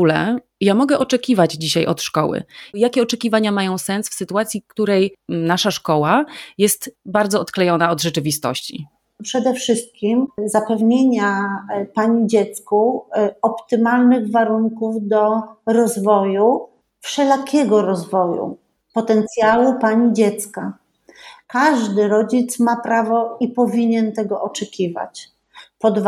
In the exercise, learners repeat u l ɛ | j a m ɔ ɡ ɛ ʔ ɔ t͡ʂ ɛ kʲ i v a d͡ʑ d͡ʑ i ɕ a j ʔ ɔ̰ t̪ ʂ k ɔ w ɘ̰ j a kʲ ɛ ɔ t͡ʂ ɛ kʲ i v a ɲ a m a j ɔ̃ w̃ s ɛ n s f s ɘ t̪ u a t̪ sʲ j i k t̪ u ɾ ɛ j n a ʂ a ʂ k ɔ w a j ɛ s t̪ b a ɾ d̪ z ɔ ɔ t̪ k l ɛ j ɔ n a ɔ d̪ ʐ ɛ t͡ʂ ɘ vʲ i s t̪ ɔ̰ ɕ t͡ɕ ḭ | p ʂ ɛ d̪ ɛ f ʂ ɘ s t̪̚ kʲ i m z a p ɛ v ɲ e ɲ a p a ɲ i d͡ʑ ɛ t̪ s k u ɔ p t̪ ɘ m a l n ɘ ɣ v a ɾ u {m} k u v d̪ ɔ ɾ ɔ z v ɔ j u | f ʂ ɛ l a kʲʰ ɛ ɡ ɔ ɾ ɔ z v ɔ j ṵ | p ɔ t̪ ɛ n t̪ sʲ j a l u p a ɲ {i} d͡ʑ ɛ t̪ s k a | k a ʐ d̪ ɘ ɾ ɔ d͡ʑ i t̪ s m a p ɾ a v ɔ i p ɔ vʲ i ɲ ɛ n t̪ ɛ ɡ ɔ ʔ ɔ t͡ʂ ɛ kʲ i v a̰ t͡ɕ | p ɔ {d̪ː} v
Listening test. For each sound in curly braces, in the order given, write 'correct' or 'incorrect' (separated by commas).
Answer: incorrect, correct, incorrect